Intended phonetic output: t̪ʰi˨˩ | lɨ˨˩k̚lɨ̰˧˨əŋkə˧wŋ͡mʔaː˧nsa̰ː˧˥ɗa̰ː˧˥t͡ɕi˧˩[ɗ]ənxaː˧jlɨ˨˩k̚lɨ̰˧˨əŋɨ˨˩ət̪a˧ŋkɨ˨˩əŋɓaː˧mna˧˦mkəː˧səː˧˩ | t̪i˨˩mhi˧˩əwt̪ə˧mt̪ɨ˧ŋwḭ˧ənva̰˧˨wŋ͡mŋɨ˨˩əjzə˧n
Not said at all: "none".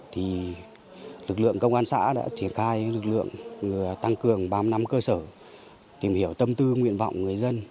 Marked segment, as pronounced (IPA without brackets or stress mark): none